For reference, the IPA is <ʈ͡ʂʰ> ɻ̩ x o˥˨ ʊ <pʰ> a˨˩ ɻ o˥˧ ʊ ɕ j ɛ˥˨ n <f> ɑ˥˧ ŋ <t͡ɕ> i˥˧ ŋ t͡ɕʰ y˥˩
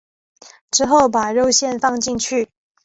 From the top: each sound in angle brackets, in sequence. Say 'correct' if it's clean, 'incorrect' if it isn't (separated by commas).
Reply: incorrect, incorrect, correct, correct